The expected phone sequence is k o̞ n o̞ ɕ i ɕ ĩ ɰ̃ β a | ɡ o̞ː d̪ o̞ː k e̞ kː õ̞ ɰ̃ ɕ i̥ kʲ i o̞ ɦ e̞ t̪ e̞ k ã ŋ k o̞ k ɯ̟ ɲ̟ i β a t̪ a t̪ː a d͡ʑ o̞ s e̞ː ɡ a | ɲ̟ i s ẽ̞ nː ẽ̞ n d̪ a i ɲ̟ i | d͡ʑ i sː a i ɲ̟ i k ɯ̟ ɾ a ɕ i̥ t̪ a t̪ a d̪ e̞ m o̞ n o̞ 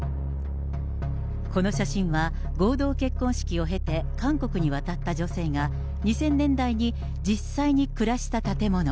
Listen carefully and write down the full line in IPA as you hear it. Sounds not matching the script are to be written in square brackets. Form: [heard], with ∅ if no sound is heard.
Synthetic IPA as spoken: k o̞ n o̞ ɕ [a] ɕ ĩ ɰ̃ β a | ɡ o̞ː d̪ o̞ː k e̞ kː õ̞ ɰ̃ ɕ i̥ kʲ i o̞ ɦ e̞ t̪ e̞ k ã ŋ k o̞ k ɯ̟ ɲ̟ i β a t̪ a t̪ː a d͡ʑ o̞ s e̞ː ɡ a | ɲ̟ i s ẽ̞ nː ẽ̞ n d̪ a i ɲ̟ i | d͡ʑ i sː a i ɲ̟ i k ɯ̟ ɾ a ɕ i̥ t̪ a t̪ a [t̪] e̞ m o̞ n o̞